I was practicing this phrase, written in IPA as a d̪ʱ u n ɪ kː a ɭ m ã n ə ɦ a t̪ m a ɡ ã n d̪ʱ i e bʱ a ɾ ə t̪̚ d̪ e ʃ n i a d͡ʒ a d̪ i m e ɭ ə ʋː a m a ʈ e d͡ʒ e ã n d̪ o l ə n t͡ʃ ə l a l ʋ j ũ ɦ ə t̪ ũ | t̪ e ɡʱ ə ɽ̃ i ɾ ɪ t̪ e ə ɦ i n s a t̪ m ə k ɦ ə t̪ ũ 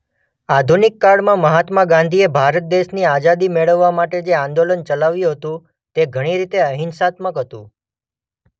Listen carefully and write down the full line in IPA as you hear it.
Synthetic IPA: a d̪ʱ u n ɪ kː a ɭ m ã m ə ɦ a t̪ m a ɡ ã n d̪ʱ i e bʱ a ɾ ə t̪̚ d̪ e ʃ n i a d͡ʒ a d̪ i m e ɭ ə ʋː a m a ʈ e d͡ʒ e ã n d̪ o l ə n t͡ʃ ə l a ʋ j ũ ɦ ə t̪ ũ | t̪ e ɡʱ ə ɽ̃ i ɾ i t̪ e ə ɦ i n s a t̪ m ə k ɦ ə t̪ ũ